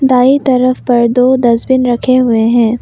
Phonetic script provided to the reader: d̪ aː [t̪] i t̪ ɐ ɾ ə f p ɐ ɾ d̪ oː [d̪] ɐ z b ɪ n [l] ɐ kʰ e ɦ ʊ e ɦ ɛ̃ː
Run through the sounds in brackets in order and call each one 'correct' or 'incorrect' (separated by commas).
incorrect, correct, incorrect